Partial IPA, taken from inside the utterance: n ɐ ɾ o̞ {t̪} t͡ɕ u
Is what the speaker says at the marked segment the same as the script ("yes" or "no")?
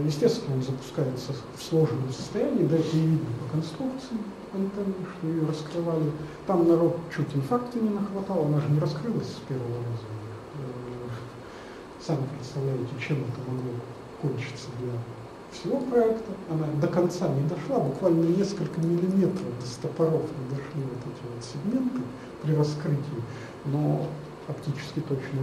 yes